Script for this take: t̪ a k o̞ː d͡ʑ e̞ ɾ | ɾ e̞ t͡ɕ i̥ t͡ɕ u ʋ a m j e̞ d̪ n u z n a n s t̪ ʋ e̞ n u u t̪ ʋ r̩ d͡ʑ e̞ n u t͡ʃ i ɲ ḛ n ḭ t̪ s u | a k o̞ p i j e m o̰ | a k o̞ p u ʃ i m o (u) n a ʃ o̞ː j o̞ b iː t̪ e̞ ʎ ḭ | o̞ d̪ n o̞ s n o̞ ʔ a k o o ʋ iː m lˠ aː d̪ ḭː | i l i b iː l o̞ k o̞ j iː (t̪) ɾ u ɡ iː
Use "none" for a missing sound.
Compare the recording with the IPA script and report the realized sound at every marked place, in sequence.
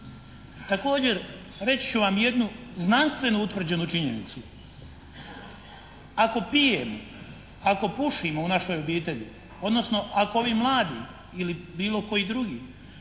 u, d̪

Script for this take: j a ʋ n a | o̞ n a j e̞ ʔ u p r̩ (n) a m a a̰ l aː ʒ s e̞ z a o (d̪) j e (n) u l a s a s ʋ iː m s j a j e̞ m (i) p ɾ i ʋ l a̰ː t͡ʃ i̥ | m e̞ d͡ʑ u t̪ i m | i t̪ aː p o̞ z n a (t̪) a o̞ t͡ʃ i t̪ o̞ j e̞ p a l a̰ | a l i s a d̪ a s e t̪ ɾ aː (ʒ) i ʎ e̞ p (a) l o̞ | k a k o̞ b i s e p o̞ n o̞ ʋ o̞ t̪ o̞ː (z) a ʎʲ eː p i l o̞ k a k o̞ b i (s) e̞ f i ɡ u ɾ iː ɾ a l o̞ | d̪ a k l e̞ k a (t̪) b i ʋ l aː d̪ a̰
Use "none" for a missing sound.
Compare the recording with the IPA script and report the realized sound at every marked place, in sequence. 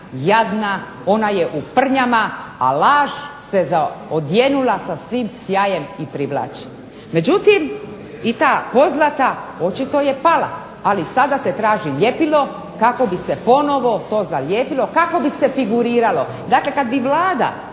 ɲ, d̪, n, i, t̪, ʒ, i, z, s, d̪

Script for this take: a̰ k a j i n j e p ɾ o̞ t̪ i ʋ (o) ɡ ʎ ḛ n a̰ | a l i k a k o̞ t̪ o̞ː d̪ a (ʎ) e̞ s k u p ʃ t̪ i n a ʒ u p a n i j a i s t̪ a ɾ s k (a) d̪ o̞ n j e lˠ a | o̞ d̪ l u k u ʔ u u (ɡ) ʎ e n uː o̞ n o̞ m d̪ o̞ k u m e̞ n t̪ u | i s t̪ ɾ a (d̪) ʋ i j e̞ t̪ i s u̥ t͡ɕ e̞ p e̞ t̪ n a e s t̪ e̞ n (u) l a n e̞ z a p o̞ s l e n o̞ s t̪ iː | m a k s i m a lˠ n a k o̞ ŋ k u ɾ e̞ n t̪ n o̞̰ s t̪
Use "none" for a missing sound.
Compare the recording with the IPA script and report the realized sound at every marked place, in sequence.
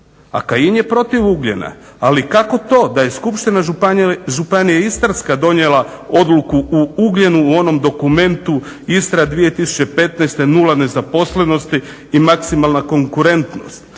u, j, a, ɡ, d̪, u

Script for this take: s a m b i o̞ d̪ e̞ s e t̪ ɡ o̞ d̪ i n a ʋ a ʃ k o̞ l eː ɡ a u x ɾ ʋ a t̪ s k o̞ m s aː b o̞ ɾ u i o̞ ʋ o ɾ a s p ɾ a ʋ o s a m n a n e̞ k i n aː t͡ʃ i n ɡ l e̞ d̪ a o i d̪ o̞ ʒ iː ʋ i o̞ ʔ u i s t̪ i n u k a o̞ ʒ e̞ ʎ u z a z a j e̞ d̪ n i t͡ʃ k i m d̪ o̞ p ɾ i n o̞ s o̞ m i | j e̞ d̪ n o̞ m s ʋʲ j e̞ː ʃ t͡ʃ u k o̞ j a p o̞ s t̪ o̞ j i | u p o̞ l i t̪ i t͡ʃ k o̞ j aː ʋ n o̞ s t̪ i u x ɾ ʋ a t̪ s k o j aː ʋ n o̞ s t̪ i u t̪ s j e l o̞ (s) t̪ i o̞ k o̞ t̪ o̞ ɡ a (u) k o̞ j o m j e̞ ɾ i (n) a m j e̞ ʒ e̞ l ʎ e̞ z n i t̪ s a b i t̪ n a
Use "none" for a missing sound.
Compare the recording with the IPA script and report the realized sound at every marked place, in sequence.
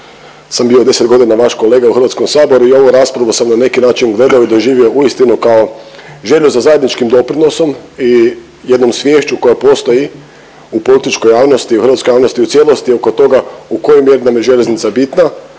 s, u, n

